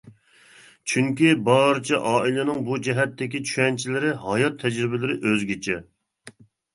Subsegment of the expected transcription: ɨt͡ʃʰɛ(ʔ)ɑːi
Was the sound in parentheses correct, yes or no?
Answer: yes